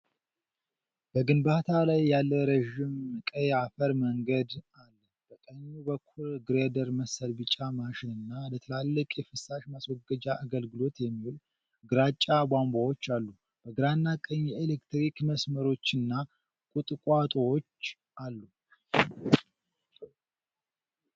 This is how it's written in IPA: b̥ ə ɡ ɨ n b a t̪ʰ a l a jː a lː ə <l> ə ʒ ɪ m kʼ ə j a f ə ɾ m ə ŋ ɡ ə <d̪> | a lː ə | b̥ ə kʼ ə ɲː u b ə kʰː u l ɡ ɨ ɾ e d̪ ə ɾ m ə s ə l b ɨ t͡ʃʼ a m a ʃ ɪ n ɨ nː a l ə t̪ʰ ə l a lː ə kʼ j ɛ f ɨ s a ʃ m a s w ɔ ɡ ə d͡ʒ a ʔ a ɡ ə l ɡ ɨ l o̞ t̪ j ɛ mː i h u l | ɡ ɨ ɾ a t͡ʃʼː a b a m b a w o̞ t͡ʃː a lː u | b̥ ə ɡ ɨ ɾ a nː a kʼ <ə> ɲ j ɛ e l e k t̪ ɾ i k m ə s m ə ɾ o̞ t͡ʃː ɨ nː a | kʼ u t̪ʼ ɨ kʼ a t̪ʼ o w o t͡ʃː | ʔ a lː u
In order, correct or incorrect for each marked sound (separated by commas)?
incorrect, correct, correct